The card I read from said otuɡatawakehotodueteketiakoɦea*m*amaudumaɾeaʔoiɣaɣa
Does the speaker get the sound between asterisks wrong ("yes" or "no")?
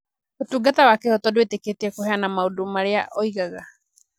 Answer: yes